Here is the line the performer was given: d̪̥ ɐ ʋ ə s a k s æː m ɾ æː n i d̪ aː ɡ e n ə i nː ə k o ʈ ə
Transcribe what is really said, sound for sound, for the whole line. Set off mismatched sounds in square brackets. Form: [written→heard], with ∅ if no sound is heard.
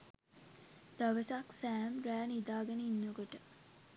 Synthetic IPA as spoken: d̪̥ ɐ ʋ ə s a k s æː m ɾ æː n i d̪ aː ɡ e n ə i nː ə k o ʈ ə